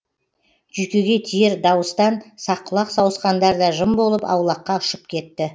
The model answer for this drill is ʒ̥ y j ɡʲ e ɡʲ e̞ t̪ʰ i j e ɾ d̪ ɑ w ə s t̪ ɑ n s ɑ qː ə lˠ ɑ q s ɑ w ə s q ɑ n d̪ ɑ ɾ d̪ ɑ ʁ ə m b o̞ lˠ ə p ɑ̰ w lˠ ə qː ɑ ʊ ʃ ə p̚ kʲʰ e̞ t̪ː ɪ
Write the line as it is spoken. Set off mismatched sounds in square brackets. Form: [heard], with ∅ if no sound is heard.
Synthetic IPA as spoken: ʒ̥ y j [kʲ] e ɡʲ e̞ t̪ʰ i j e ɾ d̪ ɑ w ə s t̪ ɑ n s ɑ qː ə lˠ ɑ q s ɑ w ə s q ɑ n d̪ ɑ ɾ d̪ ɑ [ʒ] ə m b o̞ lˠ ə p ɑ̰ w lˠ [ɑ] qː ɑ ʊ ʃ ə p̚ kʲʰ e̞ t̪ː ɪ